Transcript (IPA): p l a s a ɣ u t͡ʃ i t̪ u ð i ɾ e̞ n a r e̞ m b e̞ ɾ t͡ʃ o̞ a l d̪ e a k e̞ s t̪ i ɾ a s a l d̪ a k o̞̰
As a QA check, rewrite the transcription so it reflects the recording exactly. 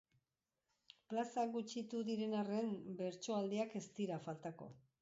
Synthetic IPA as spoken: p l a s a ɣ u t͡ʃ i t̪ u ð i ɾ e̞ n a r e̞ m b e̞ ɾ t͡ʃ o̞ a l d̪ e a k e̞ s t̪ i ɾ a f a l t̪ a k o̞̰